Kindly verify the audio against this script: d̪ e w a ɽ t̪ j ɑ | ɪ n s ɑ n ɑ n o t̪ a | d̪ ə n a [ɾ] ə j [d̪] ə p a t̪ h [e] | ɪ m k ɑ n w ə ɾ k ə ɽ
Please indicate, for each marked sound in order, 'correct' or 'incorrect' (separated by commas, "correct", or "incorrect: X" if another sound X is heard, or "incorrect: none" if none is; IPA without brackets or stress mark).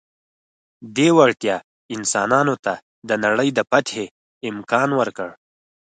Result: incorrect: ɽ, correct, correct